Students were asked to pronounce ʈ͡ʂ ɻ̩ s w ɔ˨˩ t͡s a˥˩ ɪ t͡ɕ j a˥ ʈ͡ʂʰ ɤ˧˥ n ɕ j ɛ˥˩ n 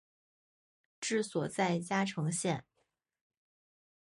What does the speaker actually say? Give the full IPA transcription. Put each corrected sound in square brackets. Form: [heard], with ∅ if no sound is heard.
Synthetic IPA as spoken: ʈ͡ʂ ɻ̩ s w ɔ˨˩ t͡s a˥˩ ɪ t͡ɕ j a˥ ʈ͡ʂʰ ɤ˧˥ [ŋ] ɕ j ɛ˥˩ n